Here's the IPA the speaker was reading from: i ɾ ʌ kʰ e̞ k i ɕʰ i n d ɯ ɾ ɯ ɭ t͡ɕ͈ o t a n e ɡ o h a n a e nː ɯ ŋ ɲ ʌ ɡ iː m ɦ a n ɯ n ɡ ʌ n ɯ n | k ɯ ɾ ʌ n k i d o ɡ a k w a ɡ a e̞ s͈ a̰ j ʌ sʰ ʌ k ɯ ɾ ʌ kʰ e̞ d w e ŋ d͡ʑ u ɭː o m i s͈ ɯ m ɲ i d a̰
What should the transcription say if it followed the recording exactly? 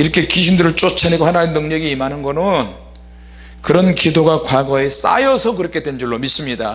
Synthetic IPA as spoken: i ɾ ʌ kʰ e̞ k i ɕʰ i n d ɯ ɾ ɯ ɭ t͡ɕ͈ o t͡ɕʰ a n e ɡ o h a n a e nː ɯ ŋ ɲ ʌ ɡ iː m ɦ a n ɯ n ɡ ʌ n ɯ n | k ɯ ɾ ʌ n k i d o ɡ a k w a ɡ ʌ e̞ s͈ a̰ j ʌ sʰ ʌ k ɯ ɾ ʌ kʰ e̞ d w e n d͡ʑ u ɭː o m i s͈ ɯ m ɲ i d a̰